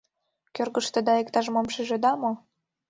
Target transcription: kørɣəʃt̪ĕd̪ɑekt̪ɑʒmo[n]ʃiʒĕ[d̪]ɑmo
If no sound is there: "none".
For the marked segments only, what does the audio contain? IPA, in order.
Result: m, d̪

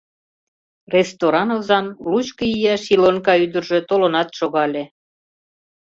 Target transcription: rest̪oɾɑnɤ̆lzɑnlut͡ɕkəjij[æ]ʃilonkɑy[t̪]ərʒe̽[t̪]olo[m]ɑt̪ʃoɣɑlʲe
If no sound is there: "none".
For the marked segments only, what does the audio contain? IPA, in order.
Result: æ, d̪, t̪, n

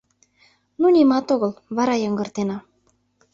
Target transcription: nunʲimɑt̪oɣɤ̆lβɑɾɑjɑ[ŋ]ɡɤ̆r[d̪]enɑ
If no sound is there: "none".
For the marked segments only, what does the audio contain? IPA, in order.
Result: ŋ, t̪

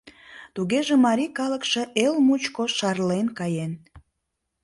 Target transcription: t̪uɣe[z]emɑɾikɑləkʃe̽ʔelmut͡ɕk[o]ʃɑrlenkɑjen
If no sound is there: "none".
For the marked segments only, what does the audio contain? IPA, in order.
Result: ʒ, o

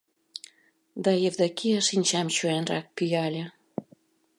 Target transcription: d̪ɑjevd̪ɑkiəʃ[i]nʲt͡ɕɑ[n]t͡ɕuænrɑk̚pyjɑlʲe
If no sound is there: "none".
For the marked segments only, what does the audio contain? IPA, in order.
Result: i, m

